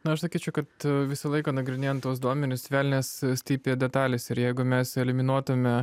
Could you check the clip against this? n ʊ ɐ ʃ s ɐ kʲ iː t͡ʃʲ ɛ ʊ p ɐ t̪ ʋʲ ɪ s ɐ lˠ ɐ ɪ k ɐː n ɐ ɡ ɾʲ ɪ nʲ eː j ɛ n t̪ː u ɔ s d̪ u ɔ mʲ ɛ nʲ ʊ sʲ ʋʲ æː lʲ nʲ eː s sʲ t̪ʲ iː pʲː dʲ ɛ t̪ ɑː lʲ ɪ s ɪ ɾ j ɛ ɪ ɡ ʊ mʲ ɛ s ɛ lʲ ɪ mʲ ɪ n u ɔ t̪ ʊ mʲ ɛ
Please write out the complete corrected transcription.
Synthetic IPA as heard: n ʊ ɐ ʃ s ɐ kʲ iː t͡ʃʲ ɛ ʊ k ɐ t̪ ʋʲ ɪ s ɐ lˠ ɐ ɪ k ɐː n ɐ ɡ ɾʲ ɪ nʲ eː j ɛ n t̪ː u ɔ s d̪ u ɔ mʲ ɛ nʲ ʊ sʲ ʋʲ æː lʲ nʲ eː s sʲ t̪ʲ iː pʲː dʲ ɛ t̪ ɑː lʲ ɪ s ɪ ɾ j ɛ ɪ ɡ ʊ mʲ ɛ s ɛ lʲ ɪ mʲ ɪ n u ɔ t̪ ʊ mʲ ɛ